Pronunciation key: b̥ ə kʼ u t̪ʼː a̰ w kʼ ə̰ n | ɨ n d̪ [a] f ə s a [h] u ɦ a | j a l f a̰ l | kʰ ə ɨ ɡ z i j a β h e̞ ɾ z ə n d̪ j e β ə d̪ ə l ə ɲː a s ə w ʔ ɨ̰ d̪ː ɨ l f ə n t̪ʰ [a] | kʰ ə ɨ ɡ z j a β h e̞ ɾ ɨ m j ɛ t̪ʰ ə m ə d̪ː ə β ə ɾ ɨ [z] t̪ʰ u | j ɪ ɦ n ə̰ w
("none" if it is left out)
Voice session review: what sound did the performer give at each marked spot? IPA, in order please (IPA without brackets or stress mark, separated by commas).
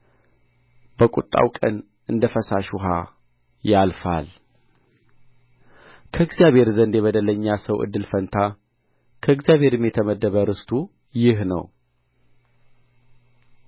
ə, ʃ, a, s